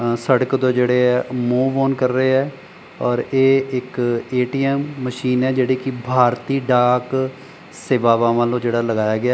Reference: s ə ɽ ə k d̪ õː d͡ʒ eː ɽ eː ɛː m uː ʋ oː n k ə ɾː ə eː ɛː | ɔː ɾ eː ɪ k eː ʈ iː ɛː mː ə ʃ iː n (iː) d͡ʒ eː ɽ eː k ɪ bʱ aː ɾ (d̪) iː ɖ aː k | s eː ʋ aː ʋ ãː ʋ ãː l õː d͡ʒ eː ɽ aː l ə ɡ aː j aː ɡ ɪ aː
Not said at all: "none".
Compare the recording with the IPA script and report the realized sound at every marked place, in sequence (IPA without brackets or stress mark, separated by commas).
ɛː, t̪